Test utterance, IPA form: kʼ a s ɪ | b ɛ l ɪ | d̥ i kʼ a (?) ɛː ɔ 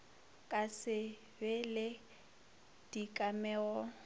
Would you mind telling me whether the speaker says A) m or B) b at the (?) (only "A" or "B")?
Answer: A